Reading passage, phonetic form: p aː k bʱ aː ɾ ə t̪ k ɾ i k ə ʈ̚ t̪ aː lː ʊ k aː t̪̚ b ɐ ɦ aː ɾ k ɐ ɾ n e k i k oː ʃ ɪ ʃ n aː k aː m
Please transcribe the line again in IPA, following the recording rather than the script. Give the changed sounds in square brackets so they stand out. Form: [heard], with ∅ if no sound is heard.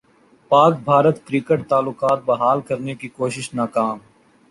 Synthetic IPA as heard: p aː k bʱ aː ɾ ə t̪ k ɾ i k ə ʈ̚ t̪ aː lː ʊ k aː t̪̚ b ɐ ɦ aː [l] k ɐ ɾ n e k i k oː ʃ ɪ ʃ n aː k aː m